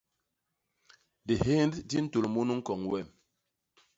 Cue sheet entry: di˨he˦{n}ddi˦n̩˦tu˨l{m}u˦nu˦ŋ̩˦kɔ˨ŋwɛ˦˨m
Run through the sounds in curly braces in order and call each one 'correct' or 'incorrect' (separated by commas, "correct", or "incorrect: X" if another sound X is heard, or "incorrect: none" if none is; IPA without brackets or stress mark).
correct, correct